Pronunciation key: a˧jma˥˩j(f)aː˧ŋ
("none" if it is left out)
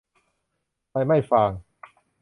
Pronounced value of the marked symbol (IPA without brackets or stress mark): f